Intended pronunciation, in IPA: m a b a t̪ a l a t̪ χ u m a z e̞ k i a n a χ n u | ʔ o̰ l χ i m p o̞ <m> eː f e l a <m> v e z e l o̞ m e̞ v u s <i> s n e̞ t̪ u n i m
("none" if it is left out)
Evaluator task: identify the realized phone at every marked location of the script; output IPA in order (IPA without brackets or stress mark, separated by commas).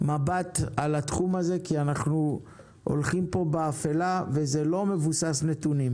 b, none, a